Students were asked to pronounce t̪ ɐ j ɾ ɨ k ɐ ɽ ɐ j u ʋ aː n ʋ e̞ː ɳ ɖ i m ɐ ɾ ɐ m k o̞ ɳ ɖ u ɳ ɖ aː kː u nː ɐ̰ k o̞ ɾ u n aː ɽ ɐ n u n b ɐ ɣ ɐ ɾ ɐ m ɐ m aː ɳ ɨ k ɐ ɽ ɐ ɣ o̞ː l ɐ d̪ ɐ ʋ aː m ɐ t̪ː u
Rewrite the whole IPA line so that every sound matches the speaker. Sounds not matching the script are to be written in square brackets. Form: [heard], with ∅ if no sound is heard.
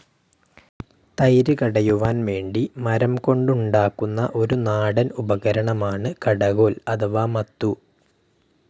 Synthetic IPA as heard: t̪ ɐ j ɾ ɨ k ɐ ɽ ɐ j u ʋ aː n ʋ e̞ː ɳ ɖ i m ɐ ɾ ɐ m k o̞ ɳ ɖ u ɳ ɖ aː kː u nː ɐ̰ [ʔ] o̞ ɾ u n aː ɽ ɐ n u [∅] b ɐ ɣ ɐ ɾ ɐ [ɳ] ɐ m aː ɳ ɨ k ɐ ɽ ɐ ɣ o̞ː l ɐ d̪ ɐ ʋ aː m ɐ t̪ː u